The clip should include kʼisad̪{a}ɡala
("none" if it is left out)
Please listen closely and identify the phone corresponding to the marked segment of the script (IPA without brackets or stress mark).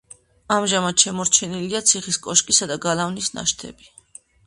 a